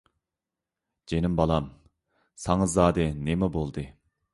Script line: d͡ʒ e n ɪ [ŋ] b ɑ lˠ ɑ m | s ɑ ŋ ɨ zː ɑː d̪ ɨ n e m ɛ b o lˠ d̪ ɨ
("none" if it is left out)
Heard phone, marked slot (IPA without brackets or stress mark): m